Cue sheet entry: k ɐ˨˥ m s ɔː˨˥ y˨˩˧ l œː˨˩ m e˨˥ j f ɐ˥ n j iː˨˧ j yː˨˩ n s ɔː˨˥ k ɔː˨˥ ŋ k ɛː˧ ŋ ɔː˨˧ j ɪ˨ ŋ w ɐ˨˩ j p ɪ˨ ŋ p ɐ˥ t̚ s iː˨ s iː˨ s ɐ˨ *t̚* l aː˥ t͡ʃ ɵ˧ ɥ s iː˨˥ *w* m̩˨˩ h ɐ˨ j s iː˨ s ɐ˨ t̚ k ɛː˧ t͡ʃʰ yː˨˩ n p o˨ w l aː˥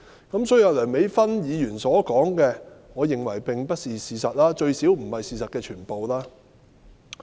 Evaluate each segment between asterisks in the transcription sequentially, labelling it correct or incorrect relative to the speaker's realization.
correct, correct

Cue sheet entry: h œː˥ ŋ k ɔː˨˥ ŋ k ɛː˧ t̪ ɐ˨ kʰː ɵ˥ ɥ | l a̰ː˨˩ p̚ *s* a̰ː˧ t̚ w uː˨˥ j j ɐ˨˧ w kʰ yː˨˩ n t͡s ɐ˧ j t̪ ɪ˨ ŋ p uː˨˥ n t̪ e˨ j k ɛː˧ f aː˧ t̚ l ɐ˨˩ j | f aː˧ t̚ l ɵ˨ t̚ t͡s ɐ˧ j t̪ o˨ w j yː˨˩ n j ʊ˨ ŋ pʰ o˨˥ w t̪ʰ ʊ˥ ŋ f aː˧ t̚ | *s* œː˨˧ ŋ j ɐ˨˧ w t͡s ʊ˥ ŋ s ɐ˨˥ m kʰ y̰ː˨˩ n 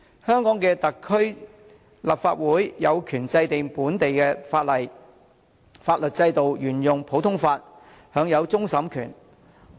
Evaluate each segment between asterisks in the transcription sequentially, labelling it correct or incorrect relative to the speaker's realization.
incorrect: f, incorrect: h

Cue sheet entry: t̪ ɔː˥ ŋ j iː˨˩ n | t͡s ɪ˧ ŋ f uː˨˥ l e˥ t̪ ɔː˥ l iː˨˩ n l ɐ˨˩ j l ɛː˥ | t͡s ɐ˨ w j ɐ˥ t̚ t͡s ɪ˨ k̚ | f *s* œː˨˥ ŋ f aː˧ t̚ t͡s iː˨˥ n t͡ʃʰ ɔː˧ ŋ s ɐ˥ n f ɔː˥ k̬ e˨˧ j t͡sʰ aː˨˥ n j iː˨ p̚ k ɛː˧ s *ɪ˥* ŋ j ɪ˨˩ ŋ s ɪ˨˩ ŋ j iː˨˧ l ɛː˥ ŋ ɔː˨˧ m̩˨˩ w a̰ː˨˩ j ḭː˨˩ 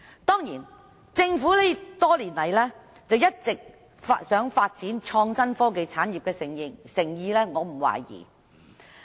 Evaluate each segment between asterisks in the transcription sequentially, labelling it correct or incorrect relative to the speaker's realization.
correct, incorrect: ɪ˨˩

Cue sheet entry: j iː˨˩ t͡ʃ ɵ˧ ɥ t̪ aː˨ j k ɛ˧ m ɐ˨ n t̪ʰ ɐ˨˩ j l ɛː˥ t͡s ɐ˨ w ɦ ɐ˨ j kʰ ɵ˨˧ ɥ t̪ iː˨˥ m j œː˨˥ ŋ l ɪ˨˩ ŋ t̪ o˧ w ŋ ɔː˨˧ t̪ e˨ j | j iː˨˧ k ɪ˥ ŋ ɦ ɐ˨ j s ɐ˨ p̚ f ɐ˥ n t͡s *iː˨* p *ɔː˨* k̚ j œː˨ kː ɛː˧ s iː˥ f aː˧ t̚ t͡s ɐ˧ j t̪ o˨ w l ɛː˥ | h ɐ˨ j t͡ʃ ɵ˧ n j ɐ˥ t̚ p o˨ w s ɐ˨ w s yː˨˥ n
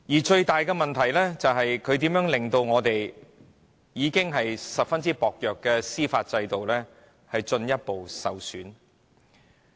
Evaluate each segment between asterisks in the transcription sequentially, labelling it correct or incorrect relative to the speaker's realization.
incorrect: iː˥, correct

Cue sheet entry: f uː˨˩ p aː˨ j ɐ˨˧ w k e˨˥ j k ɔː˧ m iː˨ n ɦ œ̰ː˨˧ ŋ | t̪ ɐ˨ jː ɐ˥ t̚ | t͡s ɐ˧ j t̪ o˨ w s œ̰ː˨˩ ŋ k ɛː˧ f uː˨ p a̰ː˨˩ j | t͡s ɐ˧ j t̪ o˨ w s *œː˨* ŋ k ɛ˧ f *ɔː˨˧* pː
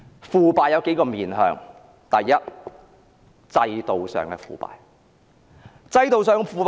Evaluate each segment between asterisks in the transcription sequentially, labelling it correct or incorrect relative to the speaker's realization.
correct, incorrect: uː˨˧

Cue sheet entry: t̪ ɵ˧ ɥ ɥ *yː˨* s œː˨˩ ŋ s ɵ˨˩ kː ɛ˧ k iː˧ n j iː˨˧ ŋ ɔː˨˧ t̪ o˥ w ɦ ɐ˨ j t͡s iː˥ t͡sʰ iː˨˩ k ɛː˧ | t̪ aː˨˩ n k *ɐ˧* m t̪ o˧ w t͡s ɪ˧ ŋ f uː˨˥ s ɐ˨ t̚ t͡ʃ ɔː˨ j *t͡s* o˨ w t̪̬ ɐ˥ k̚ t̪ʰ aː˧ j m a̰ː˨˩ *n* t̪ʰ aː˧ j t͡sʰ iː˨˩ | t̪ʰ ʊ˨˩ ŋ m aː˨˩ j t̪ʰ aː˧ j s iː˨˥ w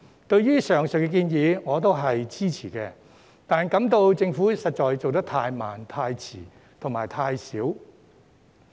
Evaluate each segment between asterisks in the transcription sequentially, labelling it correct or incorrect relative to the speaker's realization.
incorrect: yː˥, incorrect: ɐ˨˥, correct, correct

